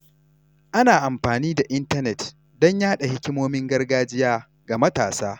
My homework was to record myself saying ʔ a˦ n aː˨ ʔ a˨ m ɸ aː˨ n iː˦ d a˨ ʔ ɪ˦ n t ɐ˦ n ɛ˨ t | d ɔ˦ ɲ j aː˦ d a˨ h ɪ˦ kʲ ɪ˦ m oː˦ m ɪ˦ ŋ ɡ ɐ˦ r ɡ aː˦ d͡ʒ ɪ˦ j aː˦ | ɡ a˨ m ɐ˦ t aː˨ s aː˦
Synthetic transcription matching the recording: ʔ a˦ n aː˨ ʔ a˨ m ɸ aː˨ n iː˦ d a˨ ʔ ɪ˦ n t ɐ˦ n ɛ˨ t | d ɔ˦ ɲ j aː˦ ɗ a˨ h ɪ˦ kʲ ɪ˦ m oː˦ m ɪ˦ ŋ ɡ ɐ˦ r ɡ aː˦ d͡ʒ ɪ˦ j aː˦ | ɡ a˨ m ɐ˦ t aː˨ s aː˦